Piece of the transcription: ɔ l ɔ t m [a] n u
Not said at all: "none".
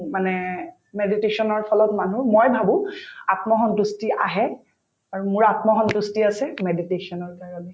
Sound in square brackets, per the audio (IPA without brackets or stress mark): a